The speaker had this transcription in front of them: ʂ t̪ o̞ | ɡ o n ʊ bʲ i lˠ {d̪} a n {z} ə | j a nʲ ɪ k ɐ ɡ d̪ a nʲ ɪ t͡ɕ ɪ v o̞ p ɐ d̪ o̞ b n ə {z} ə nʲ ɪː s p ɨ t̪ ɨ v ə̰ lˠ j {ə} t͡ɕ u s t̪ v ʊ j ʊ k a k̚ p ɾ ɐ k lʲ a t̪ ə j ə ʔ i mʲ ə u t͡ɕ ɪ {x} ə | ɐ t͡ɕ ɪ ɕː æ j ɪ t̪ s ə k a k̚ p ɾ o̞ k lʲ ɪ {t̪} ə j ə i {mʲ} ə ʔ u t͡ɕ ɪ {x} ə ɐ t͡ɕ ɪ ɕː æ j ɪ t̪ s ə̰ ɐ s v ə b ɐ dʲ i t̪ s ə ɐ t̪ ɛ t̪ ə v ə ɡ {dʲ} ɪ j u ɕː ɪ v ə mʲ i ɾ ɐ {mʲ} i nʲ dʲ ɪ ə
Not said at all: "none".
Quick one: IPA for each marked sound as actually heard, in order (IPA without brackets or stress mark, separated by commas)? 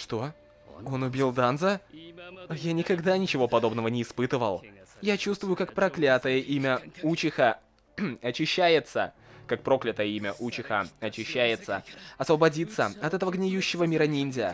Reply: d̪, z, v, a, x, t̪, mʲ, x, nʲ, nʲ